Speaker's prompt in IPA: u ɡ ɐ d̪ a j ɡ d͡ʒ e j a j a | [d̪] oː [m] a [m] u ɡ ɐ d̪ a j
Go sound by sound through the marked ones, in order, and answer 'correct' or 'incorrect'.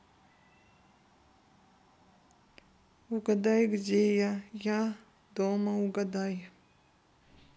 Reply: correct, correct, incorrect: none

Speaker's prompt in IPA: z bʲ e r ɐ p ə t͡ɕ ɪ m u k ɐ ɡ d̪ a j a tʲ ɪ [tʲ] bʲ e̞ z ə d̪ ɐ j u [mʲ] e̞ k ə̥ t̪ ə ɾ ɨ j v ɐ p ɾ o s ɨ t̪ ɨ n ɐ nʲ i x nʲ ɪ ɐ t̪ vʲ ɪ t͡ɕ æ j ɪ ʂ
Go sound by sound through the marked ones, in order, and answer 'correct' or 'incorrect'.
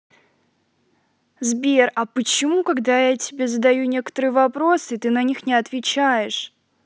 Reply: incorrect: none, incorrect: nʲ

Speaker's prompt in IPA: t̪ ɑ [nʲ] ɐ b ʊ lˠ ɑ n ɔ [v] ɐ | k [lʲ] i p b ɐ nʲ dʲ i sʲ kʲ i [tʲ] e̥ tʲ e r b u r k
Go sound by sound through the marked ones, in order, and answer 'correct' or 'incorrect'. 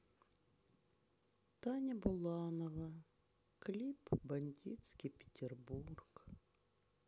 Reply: correct, incorrect: ʋ, correct, incorrect: pʲ

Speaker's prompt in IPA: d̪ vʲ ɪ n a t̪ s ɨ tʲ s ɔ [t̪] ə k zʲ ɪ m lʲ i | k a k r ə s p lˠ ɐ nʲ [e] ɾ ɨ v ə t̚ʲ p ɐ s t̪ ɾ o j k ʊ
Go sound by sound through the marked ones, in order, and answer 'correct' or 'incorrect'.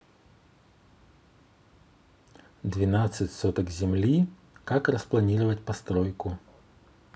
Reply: correct, incorrect: i

